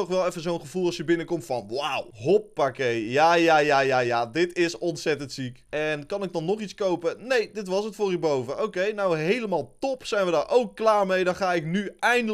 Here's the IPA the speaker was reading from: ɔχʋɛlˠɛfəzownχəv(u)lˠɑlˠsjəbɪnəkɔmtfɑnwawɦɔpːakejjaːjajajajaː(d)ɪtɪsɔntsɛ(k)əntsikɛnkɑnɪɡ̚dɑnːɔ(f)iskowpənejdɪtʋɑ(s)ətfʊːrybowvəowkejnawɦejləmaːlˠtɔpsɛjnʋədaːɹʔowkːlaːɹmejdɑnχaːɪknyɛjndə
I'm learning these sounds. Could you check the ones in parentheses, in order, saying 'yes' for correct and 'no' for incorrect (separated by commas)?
yes, yes, no, no, yes